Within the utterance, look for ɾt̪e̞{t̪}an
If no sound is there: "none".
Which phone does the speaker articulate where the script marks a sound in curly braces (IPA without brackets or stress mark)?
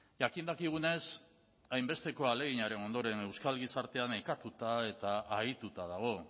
none